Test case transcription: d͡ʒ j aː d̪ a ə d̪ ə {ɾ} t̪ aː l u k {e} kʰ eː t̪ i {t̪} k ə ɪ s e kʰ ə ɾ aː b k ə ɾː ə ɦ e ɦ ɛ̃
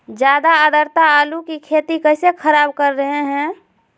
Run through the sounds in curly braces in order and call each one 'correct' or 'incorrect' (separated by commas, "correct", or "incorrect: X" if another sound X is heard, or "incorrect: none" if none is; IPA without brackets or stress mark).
correct, incorrect: i, incorrect: none